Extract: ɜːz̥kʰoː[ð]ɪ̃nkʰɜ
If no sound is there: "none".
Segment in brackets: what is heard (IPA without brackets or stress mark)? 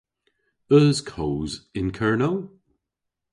z